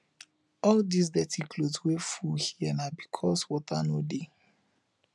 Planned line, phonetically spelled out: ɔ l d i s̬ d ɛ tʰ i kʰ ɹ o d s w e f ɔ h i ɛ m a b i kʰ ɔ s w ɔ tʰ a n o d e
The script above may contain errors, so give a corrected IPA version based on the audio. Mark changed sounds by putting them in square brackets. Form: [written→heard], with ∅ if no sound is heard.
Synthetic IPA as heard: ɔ l d i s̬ d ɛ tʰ i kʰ [ɹ→l] o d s w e f [ɔ→u] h i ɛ [m→n] a b i kʰ ɔ s w ɔ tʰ a n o d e